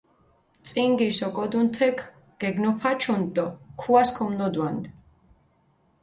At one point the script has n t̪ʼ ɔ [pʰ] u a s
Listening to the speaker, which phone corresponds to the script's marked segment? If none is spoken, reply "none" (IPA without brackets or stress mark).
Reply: kʰ